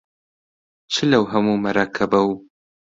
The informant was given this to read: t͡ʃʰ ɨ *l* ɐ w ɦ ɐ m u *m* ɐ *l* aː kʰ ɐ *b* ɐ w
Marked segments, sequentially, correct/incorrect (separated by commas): correct, correct, incorrect, correct